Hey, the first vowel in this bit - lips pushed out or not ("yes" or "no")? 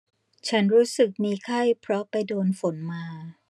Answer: no